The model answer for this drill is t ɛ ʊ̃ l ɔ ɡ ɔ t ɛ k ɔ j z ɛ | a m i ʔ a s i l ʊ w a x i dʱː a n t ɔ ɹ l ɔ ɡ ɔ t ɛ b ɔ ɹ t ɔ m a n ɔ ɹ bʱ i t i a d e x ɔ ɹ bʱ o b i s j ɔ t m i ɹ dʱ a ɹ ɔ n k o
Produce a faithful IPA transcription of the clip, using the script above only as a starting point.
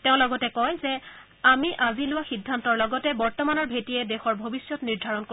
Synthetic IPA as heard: t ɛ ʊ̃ l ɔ ɡ ɔ t ɛ k ɔ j z ɛ | a m i ʔ a z i l ʊ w a x i dʱː a n t ɔ ɹ l ɔ ɡ ɔ t ɛ b ɔ ɹ t ɔ m a n ɔ ɹ bʱ e t i ɛ d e x ɔ ɹ bʱ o b i s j ɔ t n i ɹ dʱ a ɹ ɔ n k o